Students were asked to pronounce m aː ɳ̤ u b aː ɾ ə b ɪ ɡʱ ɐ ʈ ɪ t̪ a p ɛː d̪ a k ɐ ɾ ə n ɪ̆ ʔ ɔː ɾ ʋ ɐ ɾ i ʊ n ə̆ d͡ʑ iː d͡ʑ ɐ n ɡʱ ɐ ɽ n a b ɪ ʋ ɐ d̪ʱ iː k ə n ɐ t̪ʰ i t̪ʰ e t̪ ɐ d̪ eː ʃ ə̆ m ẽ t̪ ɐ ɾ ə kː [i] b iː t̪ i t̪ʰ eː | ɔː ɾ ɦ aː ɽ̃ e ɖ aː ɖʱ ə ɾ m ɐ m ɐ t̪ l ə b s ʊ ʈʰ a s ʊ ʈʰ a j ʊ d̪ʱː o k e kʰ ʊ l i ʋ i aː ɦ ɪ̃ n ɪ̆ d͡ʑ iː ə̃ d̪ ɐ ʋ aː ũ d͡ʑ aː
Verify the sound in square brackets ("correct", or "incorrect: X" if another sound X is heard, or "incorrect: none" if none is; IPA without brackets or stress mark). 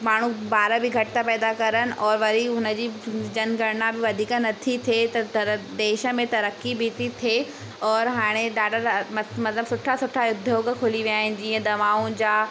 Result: correct